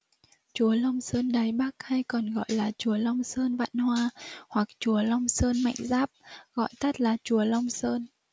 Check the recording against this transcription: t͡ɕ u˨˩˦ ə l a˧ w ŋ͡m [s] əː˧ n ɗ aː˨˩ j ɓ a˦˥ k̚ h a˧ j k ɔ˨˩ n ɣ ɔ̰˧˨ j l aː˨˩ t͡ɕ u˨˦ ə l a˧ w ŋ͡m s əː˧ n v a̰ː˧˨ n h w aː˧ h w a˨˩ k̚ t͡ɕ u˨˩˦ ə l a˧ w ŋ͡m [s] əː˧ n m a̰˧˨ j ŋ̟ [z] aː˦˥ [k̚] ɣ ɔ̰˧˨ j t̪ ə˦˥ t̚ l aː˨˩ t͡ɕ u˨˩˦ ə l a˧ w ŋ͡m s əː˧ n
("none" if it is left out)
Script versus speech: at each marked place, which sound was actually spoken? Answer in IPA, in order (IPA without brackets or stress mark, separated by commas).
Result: s, s, z, p̚